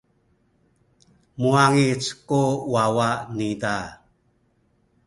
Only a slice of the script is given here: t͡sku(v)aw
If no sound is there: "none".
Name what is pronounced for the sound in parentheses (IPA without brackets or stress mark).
w